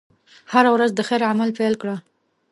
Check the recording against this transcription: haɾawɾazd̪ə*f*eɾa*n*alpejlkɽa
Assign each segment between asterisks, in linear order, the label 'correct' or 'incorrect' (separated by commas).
incorrect, incorrect